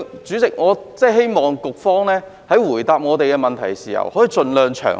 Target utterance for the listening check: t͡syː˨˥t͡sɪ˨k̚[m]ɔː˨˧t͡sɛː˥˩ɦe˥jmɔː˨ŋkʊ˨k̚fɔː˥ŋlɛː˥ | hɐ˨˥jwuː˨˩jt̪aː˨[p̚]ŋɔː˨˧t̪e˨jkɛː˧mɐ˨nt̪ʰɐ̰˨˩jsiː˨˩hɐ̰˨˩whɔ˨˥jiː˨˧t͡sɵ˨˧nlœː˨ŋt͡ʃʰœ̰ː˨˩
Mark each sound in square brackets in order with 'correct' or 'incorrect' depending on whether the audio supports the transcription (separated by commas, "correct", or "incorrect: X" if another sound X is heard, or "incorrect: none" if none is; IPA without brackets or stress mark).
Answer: incorrect: ŋ, correct